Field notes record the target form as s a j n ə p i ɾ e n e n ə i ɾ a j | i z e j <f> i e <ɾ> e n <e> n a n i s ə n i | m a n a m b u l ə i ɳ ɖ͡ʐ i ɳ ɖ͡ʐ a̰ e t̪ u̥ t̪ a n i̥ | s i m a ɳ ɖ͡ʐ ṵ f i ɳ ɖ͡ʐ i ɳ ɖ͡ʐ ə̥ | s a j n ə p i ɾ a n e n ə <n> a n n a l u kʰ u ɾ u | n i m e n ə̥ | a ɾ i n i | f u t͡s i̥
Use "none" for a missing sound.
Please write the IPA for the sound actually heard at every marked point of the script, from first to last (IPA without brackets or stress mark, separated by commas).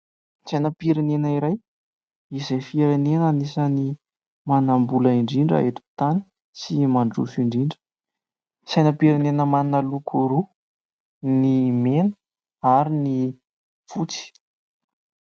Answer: f, ɾ, e, m